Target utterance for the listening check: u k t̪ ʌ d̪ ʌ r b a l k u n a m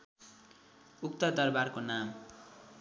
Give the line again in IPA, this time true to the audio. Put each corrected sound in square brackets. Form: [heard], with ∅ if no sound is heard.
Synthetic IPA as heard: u k t̪ ʌ d̪ ʌ r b a [r] k [o] n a m